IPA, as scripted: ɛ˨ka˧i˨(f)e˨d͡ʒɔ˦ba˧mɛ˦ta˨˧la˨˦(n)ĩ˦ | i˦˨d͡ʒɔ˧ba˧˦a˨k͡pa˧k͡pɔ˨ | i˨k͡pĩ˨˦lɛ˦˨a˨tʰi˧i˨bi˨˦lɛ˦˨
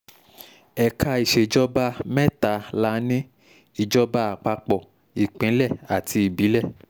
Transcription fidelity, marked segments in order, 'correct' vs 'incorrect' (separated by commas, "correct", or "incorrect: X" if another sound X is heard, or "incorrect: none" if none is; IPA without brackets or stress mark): incorrect: ʃ, correct